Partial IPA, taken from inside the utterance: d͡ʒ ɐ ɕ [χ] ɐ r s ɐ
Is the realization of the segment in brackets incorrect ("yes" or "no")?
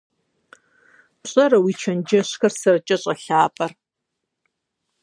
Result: yes